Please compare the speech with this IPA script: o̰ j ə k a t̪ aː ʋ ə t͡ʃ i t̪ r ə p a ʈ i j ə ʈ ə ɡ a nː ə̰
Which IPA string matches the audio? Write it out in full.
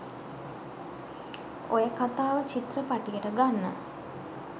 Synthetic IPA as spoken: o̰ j ə k a t̪ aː ʋ ə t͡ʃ i t̪ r ə p a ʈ i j ə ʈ ə ɡ a nː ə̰